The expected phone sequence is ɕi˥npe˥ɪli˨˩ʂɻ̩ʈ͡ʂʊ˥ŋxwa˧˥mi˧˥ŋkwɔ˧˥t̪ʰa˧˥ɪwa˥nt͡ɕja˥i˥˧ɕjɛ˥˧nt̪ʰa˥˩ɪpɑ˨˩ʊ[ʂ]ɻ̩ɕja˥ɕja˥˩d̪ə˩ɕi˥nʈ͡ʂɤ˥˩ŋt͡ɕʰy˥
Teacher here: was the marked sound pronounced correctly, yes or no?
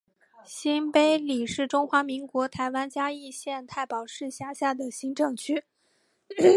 yes